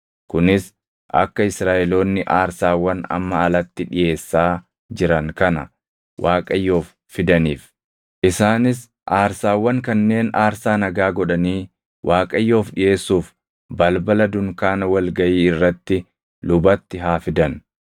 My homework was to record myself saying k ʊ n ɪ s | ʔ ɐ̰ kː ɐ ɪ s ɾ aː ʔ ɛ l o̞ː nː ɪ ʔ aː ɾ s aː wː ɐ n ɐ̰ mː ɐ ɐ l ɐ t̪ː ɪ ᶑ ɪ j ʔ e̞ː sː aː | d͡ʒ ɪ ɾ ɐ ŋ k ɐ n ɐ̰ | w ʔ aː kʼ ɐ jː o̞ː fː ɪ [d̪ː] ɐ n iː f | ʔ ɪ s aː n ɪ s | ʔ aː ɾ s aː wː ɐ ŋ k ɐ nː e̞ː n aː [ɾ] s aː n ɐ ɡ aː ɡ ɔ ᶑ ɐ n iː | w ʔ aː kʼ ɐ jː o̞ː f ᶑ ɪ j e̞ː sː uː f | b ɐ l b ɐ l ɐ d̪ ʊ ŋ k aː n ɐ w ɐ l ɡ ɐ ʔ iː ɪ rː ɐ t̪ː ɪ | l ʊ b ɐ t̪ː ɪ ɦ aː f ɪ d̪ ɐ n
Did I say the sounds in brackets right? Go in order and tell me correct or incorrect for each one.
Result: incorrect: d̪, correct

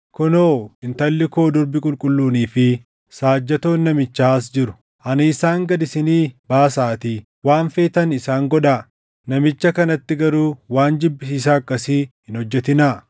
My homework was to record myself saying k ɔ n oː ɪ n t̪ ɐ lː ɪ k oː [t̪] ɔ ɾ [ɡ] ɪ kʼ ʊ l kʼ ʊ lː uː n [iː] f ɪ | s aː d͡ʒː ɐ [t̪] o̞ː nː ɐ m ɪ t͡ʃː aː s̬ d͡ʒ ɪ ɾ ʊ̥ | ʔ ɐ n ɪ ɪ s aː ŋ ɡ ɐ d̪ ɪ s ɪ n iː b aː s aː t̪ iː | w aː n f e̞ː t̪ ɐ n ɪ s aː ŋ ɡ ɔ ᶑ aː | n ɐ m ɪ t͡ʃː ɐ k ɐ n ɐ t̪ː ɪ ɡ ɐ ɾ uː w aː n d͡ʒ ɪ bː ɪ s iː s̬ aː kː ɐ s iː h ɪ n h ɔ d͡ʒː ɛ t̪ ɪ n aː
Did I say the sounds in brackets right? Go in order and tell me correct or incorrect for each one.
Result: incorrect: d̪, incorrect: b, correct, correct

